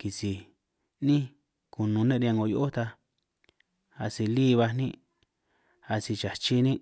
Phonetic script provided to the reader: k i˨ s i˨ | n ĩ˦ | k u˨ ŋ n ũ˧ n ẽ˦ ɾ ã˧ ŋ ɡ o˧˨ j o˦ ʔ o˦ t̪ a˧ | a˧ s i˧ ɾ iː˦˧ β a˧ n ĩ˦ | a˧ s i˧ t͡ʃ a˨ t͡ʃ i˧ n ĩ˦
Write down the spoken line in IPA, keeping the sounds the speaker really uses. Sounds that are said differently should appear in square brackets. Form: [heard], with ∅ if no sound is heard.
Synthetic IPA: k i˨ s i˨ | n ĩ˦ | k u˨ [∅] n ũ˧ n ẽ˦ ɾ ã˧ ŋ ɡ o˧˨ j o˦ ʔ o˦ t̪ a˧ | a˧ s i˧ [l] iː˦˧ β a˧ n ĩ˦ | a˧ s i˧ t͡ʃ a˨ t͡ʃ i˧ n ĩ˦

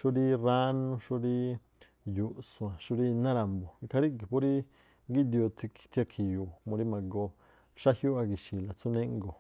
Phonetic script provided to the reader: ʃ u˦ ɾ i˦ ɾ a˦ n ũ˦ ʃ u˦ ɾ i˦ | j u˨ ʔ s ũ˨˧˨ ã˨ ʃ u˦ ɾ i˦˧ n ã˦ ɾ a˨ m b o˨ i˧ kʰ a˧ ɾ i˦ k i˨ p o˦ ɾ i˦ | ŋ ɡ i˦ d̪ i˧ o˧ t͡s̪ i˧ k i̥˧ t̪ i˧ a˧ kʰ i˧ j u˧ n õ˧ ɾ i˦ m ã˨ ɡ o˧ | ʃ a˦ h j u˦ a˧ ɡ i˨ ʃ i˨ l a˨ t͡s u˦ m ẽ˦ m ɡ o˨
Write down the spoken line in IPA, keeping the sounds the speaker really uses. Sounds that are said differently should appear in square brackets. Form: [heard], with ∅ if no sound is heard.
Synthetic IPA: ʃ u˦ ɾ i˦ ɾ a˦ n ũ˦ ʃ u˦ ɾ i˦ | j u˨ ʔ s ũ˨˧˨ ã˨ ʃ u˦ ɾ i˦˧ n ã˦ ɾ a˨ m b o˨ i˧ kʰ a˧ ɾ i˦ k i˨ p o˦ ɾ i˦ | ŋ ɡ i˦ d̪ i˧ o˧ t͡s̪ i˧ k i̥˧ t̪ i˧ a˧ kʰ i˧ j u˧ [m] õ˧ ɾ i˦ m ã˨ ɡ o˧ | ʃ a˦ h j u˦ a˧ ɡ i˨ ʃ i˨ l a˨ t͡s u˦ [n] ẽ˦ [ŋ] ɡ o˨

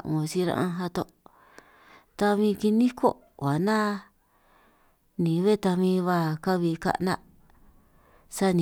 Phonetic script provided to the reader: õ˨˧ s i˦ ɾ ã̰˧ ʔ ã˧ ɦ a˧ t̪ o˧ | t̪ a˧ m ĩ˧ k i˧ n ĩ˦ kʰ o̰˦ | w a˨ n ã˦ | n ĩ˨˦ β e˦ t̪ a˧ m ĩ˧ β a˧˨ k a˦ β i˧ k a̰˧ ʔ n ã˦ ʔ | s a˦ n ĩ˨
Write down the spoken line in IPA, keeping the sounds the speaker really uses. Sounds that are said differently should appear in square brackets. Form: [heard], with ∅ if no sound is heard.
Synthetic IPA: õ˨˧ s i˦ ɾ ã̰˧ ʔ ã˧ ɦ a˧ t̪ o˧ | t̪ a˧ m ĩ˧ k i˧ n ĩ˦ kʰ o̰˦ | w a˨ n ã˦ | n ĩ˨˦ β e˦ t̪ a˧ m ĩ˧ β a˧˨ k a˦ β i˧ k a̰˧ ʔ n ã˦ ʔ | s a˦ n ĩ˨

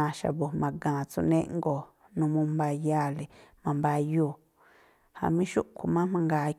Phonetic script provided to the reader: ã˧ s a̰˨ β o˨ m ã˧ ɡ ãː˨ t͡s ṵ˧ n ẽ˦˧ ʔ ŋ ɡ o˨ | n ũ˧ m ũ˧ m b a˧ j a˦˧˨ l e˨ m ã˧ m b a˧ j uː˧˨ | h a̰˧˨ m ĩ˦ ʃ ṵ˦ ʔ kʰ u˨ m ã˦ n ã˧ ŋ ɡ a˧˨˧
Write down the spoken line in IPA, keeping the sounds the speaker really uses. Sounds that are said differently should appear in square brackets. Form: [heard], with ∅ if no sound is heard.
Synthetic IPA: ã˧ [ʃ] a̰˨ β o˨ m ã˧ ɡ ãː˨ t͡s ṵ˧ n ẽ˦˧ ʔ ŋ ɡ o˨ | n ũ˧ m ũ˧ m b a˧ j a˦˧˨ l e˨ m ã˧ m b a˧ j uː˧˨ | h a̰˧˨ m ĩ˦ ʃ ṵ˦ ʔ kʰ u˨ m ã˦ [m] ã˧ ŋ ɡ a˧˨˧

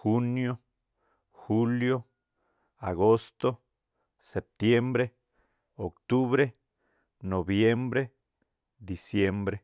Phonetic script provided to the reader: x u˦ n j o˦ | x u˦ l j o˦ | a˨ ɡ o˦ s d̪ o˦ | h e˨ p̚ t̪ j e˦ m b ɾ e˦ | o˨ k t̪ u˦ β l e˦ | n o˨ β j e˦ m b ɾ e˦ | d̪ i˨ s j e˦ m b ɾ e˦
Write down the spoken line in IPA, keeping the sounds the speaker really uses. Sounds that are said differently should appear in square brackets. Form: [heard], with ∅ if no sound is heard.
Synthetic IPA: x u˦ n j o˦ | x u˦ l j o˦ | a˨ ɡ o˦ s [t̪] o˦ | [s] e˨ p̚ t̪ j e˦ m b ɾ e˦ | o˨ k t̪ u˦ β [ɾ] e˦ | n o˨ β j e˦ m b ɾ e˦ | d̪ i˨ s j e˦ m b ɾ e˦

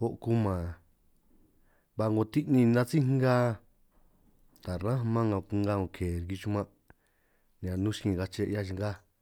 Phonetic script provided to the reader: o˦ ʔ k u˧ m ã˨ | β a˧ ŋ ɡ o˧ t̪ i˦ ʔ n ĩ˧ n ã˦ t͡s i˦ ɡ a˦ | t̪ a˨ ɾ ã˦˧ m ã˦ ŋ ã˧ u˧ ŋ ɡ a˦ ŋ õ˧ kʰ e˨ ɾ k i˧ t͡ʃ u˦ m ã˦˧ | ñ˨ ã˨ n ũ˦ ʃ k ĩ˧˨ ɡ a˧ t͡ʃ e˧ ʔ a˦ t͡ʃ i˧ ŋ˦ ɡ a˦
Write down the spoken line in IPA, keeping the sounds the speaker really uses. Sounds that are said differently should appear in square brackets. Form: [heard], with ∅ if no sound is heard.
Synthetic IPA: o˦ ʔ k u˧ m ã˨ | β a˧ ŋ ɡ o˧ t̪ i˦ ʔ n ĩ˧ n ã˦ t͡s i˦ ɡ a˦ | t̪ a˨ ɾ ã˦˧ m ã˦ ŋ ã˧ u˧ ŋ ɡ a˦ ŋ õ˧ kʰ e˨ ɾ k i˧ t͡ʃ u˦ m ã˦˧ | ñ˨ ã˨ n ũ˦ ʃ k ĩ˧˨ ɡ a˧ t͡ʃ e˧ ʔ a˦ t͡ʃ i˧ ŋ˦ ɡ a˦

